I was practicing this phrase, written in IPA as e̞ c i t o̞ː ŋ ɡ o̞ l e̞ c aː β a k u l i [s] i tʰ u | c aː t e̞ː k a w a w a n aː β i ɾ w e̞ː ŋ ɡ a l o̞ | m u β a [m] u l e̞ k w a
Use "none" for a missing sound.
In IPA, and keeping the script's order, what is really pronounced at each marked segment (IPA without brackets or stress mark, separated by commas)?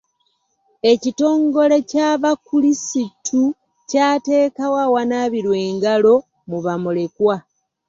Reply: s, m